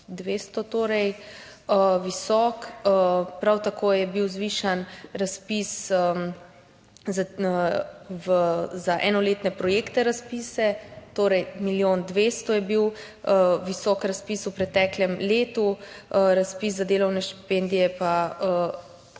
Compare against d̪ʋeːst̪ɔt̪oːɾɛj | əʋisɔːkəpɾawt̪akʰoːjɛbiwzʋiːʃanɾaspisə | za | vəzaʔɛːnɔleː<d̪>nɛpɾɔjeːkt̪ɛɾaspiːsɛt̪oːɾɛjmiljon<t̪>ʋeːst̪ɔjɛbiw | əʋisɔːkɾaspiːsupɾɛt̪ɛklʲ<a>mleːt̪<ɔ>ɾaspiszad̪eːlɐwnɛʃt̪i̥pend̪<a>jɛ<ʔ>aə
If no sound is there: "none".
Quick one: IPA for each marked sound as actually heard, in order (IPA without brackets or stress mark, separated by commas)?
t̪, d̪, ɛ, u, i, p